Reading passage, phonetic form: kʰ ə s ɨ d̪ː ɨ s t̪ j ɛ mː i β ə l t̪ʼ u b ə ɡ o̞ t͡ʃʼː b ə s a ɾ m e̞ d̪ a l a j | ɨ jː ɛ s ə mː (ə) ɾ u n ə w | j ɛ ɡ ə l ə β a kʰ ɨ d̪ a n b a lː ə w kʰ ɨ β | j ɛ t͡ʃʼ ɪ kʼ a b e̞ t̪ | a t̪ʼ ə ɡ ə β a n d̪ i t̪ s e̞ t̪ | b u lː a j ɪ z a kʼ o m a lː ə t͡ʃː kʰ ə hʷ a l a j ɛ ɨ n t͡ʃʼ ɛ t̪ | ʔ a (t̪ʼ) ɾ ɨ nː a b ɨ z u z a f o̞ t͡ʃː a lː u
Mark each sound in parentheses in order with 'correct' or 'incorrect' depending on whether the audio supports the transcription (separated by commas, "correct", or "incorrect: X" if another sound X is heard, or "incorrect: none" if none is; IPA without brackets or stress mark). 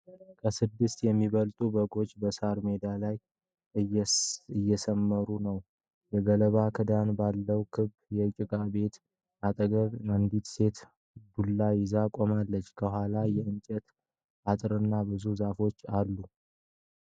correct, correct